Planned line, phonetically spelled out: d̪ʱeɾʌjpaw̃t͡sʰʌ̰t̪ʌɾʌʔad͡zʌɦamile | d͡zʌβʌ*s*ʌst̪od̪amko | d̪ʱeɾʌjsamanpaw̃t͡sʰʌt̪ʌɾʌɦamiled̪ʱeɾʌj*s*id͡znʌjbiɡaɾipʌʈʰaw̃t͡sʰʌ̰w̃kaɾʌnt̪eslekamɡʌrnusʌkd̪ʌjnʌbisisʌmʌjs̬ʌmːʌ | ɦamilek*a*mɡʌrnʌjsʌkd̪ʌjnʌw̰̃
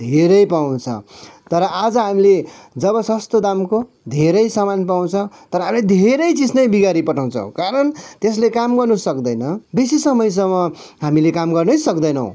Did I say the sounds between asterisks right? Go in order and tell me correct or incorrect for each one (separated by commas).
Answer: correct, incorrect, correct